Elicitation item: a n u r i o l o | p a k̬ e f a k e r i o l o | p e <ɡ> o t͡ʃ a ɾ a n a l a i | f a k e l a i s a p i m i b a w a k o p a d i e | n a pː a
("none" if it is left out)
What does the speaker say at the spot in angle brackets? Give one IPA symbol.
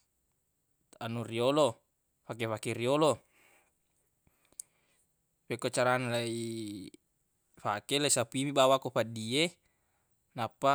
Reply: k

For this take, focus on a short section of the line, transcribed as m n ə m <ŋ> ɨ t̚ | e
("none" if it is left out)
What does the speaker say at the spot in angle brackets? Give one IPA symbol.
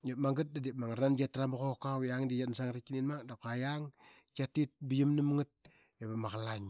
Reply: ŋ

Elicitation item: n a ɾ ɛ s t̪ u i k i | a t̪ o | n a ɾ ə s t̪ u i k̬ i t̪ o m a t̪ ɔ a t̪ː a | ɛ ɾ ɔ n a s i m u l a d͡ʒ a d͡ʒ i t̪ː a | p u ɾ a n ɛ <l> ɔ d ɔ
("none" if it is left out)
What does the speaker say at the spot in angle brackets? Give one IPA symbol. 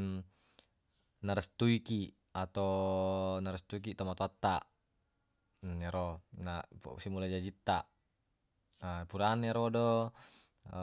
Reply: ɾ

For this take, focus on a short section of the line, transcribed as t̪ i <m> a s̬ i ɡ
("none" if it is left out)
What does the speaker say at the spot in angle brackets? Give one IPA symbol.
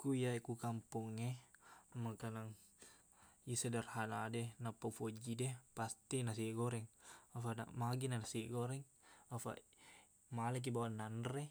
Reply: n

